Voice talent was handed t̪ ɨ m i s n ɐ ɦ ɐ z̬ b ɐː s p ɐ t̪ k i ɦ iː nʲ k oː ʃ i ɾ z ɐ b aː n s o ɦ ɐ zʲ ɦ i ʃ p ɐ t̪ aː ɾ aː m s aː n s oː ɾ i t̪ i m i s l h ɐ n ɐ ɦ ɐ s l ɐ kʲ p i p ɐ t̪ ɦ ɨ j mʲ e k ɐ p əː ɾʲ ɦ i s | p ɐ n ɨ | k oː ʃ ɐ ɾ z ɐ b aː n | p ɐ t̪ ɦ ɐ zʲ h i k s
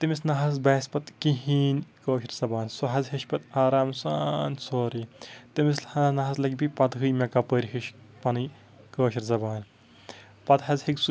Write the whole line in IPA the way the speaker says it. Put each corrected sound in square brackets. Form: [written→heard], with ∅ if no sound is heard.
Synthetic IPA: t̪ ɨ m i s n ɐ ɦ ɐ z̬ b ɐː s p ɐ t̪ k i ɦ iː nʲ k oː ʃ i ɾ z ɐ b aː n s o ɦ ɐ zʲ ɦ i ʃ p ɐ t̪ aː ɾ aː m s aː n s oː ɾ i t̪ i m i s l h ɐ n ɐ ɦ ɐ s l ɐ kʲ [p→b] i p ɐ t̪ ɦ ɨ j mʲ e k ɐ p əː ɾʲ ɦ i [s→ʃ] | p ɐ n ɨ | k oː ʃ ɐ ɾ z ɐ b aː n | p ɐ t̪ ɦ ɐ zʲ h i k s